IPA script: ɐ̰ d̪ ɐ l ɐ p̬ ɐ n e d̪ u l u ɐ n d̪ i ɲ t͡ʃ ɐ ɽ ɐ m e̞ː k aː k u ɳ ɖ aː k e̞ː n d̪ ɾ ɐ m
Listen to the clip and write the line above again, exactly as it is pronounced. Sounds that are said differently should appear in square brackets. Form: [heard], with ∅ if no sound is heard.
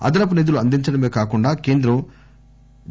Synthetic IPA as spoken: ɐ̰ d̪ ɐ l ɐ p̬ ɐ n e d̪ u l u ɐ n d̪ i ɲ t͡ʃ ɐ ɽ ɐ m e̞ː k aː k u ɳ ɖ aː k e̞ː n d̪ ɾ ɐ m